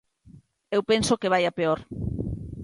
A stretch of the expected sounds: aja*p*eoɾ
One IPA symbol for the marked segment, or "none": p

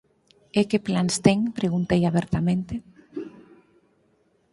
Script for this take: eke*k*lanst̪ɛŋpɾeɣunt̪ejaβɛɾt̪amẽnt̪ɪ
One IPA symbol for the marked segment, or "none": p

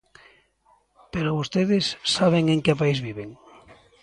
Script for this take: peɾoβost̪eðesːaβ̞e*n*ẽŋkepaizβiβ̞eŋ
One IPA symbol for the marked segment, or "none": ŋ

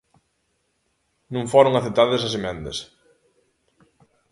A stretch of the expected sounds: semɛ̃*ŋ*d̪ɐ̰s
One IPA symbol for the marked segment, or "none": n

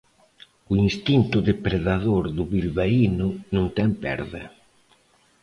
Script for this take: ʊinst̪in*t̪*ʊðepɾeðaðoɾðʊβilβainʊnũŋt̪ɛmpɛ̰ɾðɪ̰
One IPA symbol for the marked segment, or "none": t̪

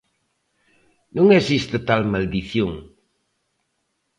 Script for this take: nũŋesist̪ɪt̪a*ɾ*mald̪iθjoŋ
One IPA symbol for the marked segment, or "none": l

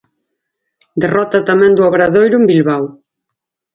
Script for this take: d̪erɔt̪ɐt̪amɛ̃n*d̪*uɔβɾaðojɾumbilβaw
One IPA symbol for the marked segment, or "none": d̪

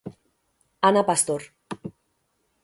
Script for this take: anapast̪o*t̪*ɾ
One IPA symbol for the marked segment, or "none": none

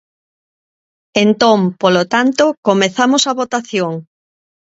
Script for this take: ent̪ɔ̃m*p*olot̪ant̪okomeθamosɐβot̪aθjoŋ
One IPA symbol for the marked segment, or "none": p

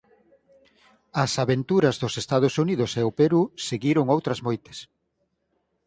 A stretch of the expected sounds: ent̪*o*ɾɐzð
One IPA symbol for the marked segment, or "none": u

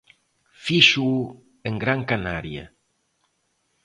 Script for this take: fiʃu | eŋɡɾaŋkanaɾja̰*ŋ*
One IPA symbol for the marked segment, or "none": none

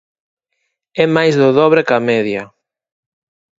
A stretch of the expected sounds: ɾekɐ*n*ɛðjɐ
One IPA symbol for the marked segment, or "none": m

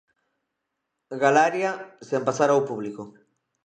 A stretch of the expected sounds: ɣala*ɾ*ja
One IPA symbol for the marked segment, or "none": ɾ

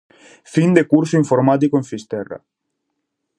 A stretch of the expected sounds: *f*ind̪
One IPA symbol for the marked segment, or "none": f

